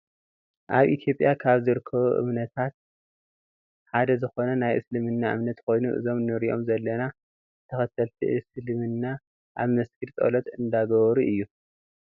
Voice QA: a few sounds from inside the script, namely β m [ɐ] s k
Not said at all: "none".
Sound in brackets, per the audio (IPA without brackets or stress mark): ɐ